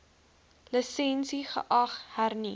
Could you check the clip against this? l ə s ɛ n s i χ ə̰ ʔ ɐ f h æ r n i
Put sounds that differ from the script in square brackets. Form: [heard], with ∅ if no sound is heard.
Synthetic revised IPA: l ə s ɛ n s i χ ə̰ ʔ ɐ [χ] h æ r n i